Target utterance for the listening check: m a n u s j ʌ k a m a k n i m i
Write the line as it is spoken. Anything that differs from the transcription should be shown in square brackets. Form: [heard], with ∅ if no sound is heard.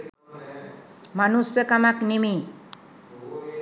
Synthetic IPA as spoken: m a n u s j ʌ k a m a k n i m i